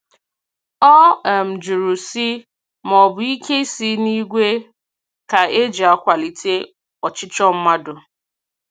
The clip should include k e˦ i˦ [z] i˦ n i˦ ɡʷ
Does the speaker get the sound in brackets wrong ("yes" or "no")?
yes